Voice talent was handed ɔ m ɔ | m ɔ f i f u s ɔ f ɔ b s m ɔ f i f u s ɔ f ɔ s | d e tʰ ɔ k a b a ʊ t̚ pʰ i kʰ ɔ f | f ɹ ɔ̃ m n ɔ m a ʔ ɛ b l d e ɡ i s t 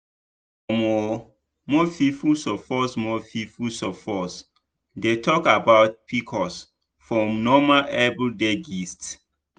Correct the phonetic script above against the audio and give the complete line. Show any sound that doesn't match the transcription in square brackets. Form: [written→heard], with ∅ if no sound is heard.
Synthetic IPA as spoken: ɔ m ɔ | m ɔ f i f u s ɔ f ɔ [b→∅] s m ɔ f i f u s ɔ f ɔ s | d e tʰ ɔ k a b a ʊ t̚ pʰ i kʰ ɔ [f→s] | f ɹ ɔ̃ m n ɔ m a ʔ ɛ b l d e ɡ i s t